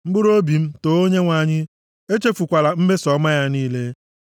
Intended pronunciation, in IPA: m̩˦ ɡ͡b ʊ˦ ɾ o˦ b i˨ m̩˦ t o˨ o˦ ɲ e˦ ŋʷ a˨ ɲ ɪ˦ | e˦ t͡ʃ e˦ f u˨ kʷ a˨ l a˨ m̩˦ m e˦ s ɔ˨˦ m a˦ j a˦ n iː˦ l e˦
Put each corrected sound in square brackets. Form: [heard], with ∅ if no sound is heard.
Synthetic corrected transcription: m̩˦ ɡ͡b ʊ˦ ɾ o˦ b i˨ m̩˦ t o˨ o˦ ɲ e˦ ŋʷ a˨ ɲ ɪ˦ | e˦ t͡ʃ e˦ f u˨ kʷ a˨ l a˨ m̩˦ m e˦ s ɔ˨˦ m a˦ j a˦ n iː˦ l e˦